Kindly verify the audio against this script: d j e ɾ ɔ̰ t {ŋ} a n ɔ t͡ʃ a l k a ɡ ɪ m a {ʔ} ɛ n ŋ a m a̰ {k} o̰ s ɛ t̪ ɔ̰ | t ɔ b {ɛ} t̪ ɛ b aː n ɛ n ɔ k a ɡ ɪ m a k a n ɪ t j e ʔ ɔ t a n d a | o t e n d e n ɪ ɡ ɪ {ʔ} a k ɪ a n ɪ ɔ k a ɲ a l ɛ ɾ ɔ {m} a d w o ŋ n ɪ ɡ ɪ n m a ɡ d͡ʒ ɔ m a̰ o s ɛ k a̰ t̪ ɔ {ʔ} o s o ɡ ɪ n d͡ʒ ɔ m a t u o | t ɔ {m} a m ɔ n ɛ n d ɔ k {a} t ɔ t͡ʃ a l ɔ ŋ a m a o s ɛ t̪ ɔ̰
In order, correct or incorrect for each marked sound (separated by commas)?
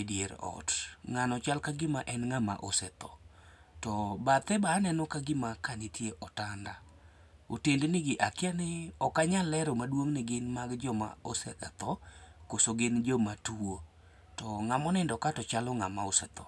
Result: correct, correct, incorrect, incorrect, correct, correct, incorrect, incorrect, correct